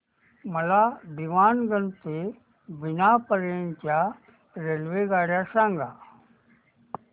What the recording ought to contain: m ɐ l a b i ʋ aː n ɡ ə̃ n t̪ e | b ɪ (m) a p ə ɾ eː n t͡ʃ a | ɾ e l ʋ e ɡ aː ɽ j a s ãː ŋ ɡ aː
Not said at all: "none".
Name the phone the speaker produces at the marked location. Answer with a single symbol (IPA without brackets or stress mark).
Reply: n